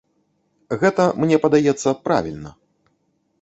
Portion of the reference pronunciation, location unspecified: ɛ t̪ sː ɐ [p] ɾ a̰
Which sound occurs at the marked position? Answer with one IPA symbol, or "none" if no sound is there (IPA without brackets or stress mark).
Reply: p